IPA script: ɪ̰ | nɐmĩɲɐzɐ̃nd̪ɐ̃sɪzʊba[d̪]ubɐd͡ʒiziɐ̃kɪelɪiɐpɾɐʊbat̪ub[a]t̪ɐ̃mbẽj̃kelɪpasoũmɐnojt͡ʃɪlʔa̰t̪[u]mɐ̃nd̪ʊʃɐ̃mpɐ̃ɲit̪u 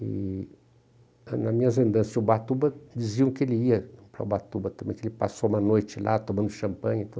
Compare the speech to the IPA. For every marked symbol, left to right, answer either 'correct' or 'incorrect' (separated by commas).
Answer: incorrect, incorrect, incorrect